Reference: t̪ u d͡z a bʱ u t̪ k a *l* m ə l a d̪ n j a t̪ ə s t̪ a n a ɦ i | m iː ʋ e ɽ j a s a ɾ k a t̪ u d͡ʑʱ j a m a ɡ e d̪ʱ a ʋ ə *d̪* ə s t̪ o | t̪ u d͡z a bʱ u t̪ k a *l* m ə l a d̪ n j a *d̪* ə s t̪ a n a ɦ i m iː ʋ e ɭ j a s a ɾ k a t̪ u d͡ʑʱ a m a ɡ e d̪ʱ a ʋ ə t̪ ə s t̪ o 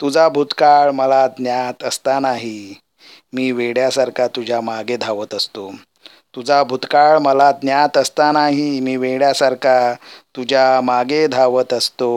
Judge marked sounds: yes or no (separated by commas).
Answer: no, no, no, no